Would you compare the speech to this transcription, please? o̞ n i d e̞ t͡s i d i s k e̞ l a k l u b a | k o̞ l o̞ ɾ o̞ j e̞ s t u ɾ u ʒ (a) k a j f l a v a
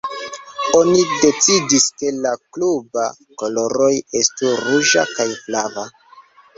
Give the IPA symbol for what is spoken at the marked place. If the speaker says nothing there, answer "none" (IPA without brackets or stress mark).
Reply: a